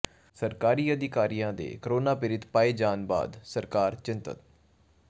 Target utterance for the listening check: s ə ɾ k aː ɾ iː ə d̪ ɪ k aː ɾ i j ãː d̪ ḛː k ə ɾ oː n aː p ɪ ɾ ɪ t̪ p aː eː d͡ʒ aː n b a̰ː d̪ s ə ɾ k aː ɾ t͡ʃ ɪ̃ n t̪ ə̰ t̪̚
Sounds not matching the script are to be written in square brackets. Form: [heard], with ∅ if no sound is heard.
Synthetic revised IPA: s ə ɾ k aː ɾ iː ə d̪ ɪ k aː ɾ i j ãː d̪ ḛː k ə ɾ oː n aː p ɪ ɾ ɪ t̪ p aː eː d͡ʒ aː n b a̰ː d̪ s ə ɾ k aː ɾ t͡ʃ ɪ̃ n t̪ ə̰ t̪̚